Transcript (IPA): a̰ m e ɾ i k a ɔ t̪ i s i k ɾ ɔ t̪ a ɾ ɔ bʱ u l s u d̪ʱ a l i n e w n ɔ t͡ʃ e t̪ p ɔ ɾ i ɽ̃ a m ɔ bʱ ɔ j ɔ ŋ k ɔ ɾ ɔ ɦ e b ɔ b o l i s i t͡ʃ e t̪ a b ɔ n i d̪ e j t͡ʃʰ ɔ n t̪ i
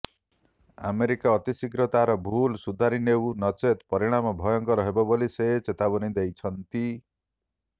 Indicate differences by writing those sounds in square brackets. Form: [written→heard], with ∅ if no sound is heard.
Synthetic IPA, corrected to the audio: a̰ m e ɾ i k a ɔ t̪ i s i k ɾ ɔ t̪ a ɾ ɔ bʱ u l s u d̪ʱ a [l→ɾ] i n e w n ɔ t͡ʃ e t̪ p ɔ ɾ i ɽ̃ a m ɔ bʱ ɔ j ɔ ŋ k ɔ ɾ ɔ ɦ e b ɔ b o l i s [i→e] t͡ʃ e t̪ a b ɔ n i d̪ e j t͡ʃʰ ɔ n t̪ i